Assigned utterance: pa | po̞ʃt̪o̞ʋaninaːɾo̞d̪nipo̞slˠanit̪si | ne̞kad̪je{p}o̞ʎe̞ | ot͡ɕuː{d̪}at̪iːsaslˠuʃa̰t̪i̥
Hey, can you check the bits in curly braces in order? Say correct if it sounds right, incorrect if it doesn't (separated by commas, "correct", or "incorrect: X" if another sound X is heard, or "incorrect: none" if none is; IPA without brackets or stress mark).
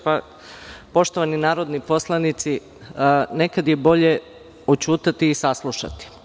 incorrect: b, incorrect: t̪